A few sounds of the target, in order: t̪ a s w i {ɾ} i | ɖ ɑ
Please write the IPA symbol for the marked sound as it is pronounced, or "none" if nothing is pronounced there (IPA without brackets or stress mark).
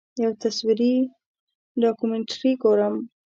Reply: ɾ